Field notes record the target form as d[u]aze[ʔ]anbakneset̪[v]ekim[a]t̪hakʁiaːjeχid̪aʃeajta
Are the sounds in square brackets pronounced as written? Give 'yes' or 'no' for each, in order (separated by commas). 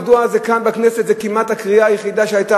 yes, no, no, yes